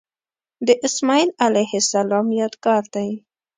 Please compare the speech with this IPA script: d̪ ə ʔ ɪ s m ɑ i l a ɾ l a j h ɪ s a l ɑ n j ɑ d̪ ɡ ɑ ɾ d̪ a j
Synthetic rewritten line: d̪ ə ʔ ɪ s m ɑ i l a l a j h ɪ s a l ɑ m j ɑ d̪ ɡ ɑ ɾ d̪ a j